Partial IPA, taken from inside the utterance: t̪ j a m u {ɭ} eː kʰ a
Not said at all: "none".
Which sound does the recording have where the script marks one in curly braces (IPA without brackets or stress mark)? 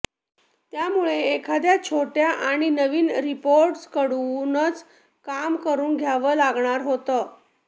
ɭ